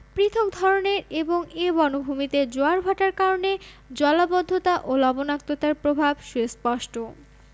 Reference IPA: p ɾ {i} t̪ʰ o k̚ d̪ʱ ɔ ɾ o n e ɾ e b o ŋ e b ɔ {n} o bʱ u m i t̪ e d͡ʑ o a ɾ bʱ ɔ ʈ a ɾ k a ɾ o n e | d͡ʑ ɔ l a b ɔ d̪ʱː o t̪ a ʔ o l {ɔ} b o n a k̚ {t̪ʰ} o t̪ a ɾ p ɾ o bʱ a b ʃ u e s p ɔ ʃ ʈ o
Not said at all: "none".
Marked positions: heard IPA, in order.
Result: i, n, ɔ, t̪

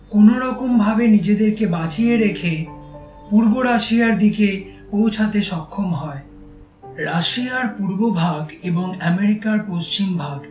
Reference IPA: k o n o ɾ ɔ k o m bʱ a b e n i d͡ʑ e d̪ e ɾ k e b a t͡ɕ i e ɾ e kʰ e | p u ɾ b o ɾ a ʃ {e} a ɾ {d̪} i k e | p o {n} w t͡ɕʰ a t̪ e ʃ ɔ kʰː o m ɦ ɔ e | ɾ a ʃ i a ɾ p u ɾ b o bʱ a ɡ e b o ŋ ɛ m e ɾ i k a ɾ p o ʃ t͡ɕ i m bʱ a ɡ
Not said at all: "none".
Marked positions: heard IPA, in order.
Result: i, d̪, none

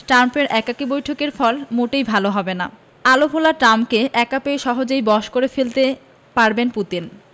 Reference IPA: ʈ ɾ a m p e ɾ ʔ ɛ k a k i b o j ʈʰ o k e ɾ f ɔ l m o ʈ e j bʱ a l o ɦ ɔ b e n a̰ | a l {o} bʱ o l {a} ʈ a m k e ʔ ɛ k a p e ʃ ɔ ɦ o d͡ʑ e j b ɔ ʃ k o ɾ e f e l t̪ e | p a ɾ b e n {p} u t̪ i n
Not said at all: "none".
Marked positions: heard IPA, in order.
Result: o, a, p

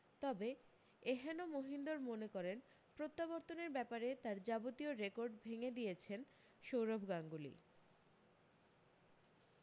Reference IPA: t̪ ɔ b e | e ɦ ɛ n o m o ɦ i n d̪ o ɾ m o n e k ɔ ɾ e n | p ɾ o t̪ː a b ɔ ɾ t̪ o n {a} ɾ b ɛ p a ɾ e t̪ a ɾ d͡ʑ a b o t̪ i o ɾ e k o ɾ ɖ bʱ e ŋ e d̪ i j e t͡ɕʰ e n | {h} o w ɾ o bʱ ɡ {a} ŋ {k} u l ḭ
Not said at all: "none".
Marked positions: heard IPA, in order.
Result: e, ʃ, a, ɡ

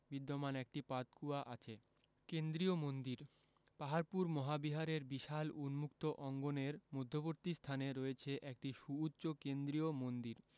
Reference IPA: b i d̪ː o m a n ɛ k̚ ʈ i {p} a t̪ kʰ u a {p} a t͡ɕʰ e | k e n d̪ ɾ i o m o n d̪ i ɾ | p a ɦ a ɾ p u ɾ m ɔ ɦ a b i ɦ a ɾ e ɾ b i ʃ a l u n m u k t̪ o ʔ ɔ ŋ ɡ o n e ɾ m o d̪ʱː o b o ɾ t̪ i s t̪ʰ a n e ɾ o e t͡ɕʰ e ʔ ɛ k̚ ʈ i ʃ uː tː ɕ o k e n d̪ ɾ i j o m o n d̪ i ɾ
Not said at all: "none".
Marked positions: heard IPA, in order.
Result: p, ʔ

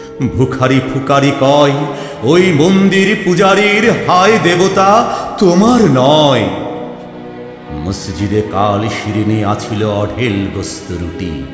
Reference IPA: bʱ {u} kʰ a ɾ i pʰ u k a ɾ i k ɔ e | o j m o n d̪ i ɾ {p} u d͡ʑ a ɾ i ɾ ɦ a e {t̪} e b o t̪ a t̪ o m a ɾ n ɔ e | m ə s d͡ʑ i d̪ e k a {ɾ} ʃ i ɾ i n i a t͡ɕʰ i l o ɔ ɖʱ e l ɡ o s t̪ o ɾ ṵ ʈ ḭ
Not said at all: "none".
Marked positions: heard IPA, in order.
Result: u, p, d̪, l

